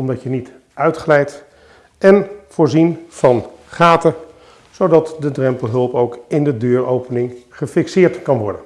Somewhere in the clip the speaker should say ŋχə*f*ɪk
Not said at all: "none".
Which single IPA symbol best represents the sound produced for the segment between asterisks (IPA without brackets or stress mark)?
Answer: f